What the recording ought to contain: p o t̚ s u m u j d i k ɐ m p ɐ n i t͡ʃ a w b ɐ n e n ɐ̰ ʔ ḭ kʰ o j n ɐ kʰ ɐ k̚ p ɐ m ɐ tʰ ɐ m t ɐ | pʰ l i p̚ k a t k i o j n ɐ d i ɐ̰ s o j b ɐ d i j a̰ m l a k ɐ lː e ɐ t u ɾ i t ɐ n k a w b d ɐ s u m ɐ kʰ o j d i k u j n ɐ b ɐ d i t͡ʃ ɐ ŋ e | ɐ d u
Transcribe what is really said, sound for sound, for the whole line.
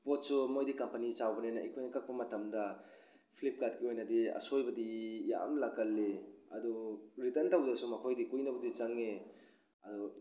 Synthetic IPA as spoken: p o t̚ s u m o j d i k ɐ m p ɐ n i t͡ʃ a w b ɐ n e n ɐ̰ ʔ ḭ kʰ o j n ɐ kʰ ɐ k̚ p ɐ m ɐ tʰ ɐ m d ɐ | pʰ l i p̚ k a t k i o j n ɐ d i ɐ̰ s o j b ɐ d i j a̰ m l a k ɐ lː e ɐ d u ɾ i t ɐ n t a w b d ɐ s u m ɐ kʰ o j d i k u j n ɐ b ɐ d i t͡ʃ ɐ ŋ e | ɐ d u